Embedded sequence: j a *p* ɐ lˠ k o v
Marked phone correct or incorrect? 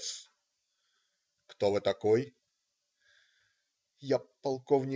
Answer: correct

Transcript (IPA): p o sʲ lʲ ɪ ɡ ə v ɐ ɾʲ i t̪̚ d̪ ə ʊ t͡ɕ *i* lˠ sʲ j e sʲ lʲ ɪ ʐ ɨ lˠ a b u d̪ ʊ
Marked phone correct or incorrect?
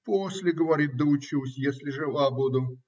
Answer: correct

